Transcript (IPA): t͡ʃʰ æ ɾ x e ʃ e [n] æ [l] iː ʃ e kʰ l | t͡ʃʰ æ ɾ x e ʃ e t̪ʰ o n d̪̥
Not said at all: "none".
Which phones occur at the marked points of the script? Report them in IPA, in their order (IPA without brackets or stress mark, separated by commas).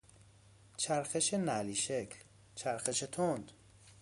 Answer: n, l